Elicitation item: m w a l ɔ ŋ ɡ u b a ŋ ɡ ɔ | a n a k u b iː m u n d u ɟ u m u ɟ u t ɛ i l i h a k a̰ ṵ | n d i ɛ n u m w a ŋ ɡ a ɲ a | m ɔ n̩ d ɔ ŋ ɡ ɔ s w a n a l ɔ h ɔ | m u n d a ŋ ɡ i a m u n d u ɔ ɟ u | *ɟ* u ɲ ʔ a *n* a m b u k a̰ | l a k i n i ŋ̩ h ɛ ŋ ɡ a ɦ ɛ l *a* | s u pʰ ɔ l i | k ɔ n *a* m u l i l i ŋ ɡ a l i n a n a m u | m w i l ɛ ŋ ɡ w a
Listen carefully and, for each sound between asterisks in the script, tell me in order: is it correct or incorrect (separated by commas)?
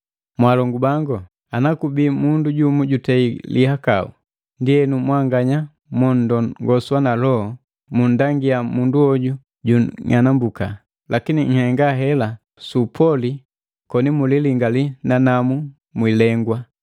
correct, correct, correct, incorrect